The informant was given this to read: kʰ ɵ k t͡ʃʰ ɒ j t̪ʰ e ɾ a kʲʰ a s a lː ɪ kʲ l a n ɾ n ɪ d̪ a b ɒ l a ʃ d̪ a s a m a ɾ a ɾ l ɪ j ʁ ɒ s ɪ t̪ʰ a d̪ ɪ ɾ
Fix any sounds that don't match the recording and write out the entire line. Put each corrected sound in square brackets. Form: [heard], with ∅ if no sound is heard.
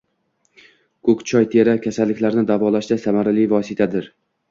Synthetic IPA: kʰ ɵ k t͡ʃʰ ɒ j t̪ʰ e ɾ a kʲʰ a s a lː ɪ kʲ l a [∅] ɾ n ɪ d̪ a [v] ɒ l a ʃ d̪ a s a m a ɾ a [∅] l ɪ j [v] ɒ s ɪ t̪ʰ a d̪ ɪ ɾ